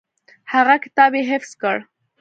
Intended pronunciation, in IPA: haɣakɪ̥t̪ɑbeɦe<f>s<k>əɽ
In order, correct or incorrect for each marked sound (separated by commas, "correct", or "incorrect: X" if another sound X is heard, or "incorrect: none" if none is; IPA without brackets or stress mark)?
correct, correct